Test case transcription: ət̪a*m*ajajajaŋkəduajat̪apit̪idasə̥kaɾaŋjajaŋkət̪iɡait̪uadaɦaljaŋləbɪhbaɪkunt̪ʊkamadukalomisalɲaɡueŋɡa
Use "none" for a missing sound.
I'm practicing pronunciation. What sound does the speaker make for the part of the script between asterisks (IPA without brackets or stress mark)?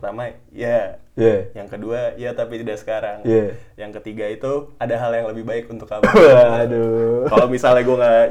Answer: m